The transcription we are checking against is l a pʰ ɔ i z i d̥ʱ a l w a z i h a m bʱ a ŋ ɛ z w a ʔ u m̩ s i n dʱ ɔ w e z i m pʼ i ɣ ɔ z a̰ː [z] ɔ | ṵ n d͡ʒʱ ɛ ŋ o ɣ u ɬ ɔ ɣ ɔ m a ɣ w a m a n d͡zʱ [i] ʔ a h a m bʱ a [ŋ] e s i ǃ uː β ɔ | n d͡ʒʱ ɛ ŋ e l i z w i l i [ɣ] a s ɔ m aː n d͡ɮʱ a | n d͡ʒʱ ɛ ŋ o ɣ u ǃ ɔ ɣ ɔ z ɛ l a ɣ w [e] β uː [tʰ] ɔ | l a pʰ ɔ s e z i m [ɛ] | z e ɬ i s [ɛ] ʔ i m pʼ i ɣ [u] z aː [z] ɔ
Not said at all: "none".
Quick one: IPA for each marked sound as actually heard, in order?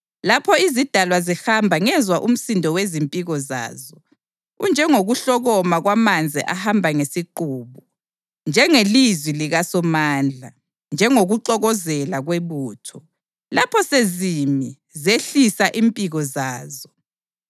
z, i, ŋ, ɣ, e, tʰ, i, a, ɔ, z

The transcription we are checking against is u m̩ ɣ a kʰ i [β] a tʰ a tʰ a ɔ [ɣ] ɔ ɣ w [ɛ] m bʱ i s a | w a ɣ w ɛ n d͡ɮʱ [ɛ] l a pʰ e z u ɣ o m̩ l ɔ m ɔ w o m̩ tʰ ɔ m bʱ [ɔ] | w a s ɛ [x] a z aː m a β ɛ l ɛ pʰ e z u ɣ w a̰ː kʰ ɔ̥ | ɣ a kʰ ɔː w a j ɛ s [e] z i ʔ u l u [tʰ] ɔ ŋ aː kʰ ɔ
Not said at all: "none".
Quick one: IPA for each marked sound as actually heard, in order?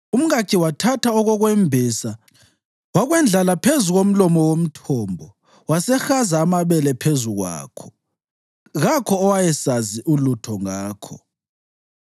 w, ɣ, ɛ, a, ɔ, x, a, tʰ

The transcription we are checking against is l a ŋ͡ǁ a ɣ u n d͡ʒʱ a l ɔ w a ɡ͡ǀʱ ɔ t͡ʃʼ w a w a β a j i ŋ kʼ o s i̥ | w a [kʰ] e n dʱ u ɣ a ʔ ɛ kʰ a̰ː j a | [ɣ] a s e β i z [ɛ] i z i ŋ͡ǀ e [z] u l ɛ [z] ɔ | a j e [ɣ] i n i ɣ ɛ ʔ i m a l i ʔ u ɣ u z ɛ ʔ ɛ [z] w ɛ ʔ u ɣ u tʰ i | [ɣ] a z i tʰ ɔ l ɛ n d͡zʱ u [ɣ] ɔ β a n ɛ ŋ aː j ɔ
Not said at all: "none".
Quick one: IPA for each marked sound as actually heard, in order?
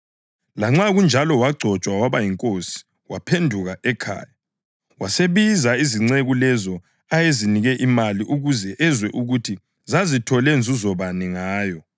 pʰ, w, a, ɣ, z, z, z, z, z

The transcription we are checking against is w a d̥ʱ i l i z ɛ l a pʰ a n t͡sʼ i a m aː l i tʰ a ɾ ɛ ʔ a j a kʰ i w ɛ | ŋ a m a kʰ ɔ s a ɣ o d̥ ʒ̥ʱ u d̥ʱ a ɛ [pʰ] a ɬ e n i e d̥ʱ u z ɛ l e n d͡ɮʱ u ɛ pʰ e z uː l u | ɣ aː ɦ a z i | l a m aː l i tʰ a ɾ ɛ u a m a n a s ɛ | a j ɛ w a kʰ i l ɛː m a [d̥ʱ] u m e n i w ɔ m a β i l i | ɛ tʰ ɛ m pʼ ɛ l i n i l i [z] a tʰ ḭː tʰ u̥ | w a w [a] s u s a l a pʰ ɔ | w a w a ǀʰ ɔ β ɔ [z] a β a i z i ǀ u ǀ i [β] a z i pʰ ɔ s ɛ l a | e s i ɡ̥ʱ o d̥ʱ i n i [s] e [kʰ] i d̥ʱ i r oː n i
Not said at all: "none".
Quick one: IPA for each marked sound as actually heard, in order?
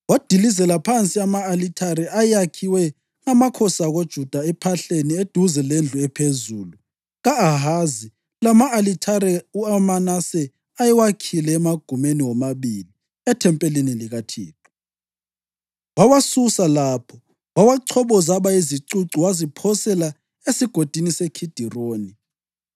pʰ, ɡ̥ʱ, ɣ, a, z, w, s, kʰ

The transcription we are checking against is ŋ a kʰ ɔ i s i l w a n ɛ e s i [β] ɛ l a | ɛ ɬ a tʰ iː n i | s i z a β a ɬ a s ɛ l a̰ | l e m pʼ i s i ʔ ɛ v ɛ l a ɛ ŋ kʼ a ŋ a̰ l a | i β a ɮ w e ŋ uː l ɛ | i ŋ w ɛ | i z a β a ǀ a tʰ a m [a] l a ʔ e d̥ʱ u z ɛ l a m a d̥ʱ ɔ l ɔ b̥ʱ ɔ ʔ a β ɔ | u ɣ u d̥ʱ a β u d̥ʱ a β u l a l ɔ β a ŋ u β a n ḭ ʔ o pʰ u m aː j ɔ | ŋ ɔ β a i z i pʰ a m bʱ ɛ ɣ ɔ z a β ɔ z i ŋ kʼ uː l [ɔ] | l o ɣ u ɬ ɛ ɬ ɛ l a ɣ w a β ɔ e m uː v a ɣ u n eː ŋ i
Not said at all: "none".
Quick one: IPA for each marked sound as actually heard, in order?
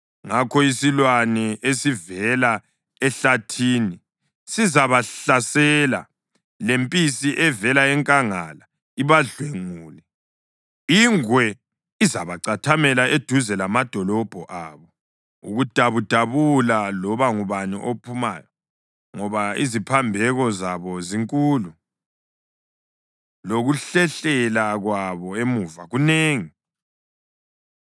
v, ɛ, u

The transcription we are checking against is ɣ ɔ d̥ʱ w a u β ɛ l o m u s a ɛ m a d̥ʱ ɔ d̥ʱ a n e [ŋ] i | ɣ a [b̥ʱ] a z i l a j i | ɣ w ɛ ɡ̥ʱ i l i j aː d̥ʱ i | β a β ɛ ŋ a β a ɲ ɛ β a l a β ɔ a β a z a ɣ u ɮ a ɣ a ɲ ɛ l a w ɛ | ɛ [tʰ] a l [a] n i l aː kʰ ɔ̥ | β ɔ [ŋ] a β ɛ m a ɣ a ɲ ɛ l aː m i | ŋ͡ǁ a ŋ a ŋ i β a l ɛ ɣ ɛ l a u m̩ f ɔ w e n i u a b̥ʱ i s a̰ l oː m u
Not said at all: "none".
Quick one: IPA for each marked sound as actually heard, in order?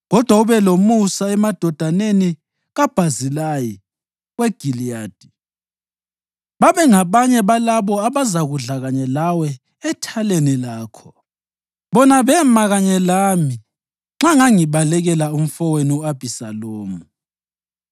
n, b̥ʱ, tʰ, e, n

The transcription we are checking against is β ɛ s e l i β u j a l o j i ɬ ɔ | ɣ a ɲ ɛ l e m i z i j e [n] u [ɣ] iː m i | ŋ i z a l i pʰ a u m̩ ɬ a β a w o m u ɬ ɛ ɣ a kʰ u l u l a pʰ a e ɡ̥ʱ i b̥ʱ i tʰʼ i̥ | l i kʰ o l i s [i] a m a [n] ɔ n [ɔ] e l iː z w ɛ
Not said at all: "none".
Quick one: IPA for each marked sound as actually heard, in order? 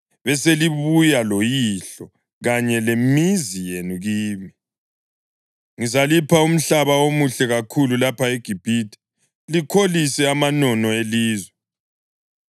n, ɣ, ɛ, n, ɔ

